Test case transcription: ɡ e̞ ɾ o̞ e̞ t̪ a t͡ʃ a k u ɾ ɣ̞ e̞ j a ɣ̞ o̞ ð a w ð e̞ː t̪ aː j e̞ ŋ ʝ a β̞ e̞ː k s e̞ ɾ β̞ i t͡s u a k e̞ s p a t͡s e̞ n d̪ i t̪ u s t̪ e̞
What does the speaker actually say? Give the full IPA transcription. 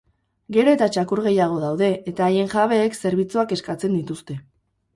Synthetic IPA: ɡ e̞ ɾ o̞ e̞ t̪ a t͡ʃ a k u ɾ ɣ̞ e̞ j a ɣ̞ o̞ ð a w ð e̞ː t̪ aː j e̞ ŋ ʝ a β̞ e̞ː k s e̞ ɾ β̞ i t͡s u a k e̞ s k a t͡s e̞ n d̪ i t̪ u s t̪ e̞

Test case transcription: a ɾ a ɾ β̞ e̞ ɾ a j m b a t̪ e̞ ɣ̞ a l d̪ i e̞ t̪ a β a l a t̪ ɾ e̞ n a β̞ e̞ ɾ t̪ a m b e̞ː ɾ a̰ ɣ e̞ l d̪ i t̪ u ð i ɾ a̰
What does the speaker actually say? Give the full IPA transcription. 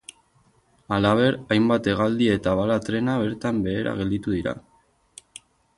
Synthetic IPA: a l a β̞ e̞ ɾ a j m b a t̪ e̞ ɣ̞ a l d̪ i e̞ t̪ a β a l a t̪ ɾ e̞ n a β̞ e̞ ɾ t̪ a m b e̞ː ɾ a̰ ɣ e̞ l d̪ i t̪ u ð i ɾ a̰

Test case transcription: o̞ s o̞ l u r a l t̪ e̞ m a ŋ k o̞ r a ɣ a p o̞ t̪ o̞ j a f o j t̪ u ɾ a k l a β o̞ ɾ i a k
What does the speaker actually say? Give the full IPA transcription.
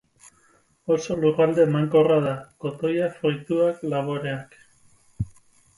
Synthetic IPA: o̞ s o̞ l u r a l d̪ e̞ m a ŋ k o̞ r a ð a k o̞ t̪ o̞ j a f o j t̪ u a k l a β o̞ ɾ e a k

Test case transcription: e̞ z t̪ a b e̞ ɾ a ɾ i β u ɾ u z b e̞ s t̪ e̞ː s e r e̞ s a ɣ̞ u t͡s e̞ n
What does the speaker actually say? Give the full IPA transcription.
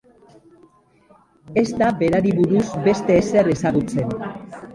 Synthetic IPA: e̞ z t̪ a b e̞ ɾ a ɾ i β u ɾ u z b e̞ s t̪ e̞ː s e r e̞ s a ɣ̞ u t͡s e̞ n

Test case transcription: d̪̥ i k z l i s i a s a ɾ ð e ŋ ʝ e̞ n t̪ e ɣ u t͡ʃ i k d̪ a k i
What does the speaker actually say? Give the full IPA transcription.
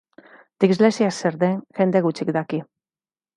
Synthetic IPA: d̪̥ i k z l e s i a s e ɾ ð e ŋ ʝ e̞ n d̪ e ɣ u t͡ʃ i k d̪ a k i

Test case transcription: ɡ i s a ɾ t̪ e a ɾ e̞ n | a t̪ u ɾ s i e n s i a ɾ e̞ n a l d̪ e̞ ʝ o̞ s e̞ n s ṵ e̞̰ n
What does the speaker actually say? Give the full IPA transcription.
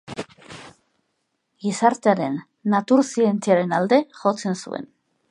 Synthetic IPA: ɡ i s a ɾ t̪ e a ɾ e̞ nː | a t̪ u ɾ s i e n t͡s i a ɾ e̞ n a l d̪ e̞ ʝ o̞ t͡s e̞ n s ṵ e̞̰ n

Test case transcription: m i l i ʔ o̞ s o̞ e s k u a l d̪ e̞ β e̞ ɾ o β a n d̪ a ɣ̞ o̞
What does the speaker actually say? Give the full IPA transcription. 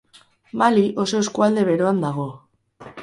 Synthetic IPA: m a l i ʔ o̞ s o̞ e s k u a l d̪ e̞ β e̞ ɾ o a n d̪ a ɣ̞ o̞

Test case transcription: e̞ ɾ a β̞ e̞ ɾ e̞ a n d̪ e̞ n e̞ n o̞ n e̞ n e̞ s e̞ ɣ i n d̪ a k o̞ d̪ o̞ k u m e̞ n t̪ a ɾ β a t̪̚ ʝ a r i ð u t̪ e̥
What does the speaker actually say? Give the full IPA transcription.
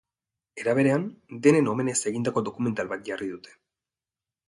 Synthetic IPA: e̞ ɾ a β̞ e̞ ɾ e̞ a n d̪ e̞ n e̞ n o̞ m e̞ n e̞ s e̞ ɣ i n d̪ a k o̞ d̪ o̞ k u m e̞ n t̪ a l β a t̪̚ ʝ a r i ð u t̪ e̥

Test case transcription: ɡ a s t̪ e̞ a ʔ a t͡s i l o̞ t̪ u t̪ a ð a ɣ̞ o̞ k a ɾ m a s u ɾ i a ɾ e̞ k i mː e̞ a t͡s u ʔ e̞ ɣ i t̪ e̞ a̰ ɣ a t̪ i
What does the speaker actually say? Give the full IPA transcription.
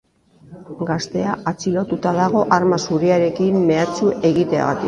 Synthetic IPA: ɡ a s t̪ e̞ a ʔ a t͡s i l o̞ t̪ u t̪ a ð a ɣ̞ o̞ ʔ a ɾ m a s u ɾ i a ɾ e̞ k i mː e̞ a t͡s u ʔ e̞ ɣ i t̪ e̞ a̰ ɣ a t̪ i

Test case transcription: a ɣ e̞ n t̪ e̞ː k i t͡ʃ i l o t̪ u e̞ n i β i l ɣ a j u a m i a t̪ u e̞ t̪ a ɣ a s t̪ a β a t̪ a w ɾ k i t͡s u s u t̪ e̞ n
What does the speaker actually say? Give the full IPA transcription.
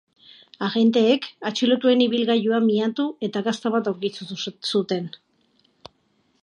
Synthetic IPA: a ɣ e̞ n t̪ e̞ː k a t͡ʃ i l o t̪ u e̞ n i β i l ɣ a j u a m i a t̪ u e̞ t̪ a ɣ a s t̪ a β a t̪ a w ɾ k i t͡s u s u t̪ e̞ n

